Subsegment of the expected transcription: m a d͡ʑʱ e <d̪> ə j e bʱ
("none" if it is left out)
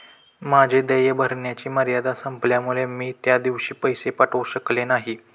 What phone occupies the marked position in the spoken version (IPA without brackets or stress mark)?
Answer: d̪